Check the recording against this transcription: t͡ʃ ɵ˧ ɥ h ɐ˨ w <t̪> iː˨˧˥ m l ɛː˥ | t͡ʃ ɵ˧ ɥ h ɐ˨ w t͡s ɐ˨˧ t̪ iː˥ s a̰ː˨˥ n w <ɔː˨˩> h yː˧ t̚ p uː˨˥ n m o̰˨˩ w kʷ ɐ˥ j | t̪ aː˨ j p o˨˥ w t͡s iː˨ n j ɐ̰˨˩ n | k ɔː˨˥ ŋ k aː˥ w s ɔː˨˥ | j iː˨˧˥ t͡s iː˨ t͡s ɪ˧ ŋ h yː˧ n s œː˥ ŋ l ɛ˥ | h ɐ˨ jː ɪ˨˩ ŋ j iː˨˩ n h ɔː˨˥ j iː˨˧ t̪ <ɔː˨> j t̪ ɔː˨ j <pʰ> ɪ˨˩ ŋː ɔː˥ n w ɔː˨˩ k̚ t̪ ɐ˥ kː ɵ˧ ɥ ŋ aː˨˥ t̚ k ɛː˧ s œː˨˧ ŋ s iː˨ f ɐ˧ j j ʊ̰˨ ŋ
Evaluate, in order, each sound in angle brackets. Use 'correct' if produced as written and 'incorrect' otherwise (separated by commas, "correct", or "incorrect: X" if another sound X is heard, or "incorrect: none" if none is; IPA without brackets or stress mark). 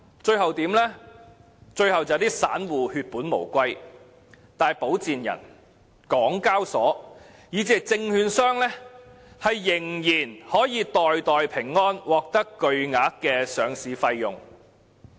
correct, incorrect: uː˨˩, correct, correct